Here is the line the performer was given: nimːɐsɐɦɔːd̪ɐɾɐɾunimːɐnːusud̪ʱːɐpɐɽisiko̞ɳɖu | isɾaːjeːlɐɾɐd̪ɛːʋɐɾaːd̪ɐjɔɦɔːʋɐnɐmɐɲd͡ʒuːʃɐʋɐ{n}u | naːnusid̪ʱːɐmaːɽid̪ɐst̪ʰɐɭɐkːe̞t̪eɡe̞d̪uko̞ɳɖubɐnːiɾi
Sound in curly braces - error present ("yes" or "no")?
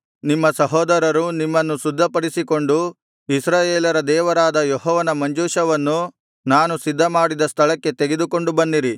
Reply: yes